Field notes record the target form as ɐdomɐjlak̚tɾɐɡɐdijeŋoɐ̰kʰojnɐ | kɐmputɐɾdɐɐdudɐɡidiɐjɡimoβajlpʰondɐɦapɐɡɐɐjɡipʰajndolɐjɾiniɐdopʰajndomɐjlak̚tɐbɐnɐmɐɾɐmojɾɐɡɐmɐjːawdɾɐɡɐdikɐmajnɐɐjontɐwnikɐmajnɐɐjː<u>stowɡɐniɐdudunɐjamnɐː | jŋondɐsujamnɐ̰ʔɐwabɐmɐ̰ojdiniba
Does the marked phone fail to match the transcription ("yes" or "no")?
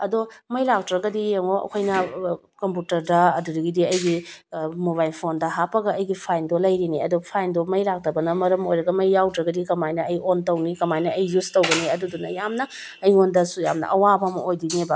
no